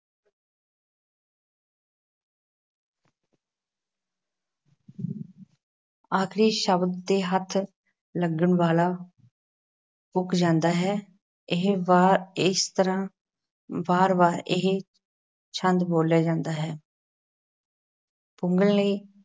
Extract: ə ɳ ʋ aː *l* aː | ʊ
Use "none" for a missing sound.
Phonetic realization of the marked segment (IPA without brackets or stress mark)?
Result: l